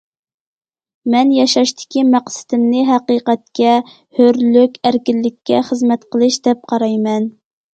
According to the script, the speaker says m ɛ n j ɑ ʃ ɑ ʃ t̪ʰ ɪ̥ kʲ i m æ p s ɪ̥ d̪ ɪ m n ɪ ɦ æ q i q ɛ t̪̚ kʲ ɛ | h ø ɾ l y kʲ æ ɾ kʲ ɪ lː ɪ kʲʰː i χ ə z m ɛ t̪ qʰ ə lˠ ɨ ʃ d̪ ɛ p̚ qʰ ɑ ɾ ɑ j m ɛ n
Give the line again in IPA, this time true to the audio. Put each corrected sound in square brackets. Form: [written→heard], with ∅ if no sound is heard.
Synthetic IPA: m ɛ n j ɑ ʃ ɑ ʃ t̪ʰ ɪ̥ kʲ i m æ [p→q] s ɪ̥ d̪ ɪ m n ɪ ɦ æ q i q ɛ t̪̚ kʲ ɛ | h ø ɾ l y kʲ æ ɾ kʲ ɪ lː ɪ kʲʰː [i→ɛ] χ ə z m ɛ t̪ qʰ ə lˠ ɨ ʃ d̪ ɛ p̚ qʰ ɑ ɾ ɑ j m ɛ n